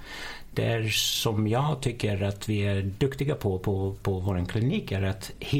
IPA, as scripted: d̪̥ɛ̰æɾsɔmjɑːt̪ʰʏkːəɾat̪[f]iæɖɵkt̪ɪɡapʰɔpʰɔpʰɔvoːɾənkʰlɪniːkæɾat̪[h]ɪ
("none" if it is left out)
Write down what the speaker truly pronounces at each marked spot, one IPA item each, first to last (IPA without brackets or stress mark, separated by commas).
v, h